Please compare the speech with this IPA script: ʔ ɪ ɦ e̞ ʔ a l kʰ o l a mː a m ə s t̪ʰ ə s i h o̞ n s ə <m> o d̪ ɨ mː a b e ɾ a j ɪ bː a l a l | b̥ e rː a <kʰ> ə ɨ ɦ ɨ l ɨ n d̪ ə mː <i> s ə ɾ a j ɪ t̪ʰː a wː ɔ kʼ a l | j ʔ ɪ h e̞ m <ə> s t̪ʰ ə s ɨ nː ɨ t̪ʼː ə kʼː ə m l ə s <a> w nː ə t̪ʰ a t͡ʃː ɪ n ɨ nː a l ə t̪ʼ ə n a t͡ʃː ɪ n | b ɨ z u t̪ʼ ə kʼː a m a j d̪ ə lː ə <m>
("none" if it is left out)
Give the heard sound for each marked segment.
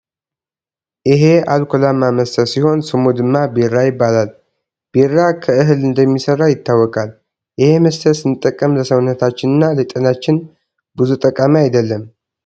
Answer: m, kʰ, i, ə, ə, m

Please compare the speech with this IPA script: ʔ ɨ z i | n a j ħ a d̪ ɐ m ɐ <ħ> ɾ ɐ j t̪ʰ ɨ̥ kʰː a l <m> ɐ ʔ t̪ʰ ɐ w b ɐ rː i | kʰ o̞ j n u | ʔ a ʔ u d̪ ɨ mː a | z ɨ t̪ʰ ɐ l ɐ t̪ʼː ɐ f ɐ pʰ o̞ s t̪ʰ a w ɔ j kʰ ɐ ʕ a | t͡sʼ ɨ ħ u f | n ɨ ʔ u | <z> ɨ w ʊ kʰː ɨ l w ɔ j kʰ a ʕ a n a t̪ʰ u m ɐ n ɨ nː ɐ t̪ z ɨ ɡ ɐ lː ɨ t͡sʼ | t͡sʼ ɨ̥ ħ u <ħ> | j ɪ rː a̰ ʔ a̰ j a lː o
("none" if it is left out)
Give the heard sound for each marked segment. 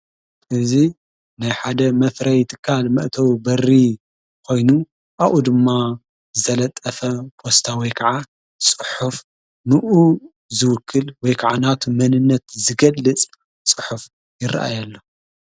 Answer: f, m, z, f

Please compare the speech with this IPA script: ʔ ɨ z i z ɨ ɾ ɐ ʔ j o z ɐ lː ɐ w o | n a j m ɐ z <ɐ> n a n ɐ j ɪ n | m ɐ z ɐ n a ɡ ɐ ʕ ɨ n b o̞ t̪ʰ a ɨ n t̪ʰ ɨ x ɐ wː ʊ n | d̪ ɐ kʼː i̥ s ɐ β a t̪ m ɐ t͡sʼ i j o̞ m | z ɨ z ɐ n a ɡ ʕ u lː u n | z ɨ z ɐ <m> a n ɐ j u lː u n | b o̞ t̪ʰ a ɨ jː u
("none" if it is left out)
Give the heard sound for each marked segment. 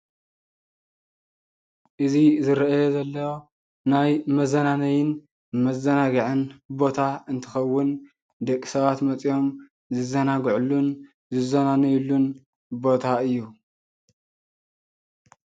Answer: ɐ, n

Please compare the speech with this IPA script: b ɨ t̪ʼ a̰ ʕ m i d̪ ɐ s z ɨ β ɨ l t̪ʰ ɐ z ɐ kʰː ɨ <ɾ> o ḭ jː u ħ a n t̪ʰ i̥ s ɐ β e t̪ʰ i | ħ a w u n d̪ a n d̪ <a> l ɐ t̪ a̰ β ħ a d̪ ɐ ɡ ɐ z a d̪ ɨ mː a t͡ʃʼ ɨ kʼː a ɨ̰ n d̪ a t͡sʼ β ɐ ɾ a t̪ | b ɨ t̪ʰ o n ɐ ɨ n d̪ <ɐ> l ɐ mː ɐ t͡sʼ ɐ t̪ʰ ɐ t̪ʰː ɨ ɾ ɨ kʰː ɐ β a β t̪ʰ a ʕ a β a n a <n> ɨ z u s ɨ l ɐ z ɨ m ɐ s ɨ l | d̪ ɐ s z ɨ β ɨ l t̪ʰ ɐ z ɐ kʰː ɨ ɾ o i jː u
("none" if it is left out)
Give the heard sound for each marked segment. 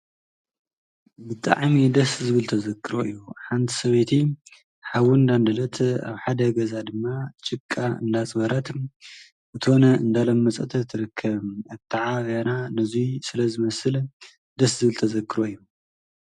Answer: ɾ, ɐ, a, n

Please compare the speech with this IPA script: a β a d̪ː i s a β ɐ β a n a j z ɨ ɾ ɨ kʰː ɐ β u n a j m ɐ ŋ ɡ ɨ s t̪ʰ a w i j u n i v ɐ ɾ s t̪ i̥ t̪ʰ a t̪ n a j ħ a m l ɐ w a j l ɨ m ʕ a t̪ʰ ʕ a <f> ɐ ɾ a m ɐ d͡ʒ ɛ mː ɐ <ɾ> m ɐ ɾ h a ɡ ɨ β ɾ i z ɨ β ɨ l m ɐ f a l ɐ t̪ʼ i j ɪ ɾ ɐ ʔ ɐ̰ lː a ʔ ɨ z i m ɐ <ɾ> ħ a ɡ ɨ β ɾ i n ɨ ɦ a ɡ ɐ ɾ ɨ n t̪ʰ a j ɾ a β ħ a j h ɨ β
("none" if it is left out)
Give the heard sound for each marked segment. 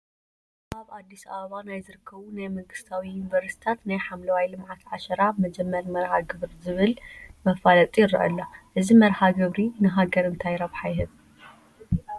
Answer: ʃ, ɾ, ɾ

